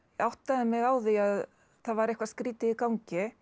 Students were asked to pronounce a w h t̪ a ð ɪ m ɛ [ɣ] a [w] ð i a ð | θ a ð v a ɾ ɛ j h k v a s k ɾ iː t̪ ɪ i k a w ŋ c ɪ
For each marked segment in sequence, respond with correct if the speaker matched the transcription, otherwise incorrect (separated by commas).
correct, correct